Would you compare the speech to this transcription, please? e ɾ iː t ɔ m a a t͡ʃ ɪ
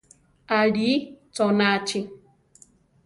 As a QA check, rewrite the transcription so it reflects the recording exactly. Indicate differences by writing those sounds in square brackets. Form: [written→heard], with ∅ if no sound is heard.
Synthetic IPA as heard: [e→a] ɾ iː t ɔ [m→n] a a t͡ʃ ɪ